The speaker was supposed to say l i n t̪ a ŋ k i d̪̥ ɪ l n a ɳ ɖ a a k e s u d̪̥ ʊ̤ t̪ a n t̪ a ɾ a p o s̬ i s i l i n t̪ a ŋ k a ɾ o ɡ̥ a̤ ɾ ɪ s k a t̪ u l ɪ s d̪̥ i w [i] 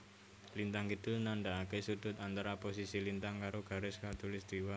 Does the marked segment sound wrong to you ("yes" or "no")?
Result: yes